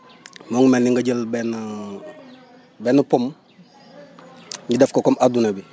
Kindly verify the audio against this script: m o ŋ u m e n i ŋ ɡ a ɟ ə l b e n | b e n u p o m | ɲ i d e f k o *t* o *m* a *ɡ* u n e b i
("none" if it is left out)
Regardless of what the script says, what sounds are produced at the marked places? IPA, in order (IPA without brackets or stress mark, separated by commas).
k, m, d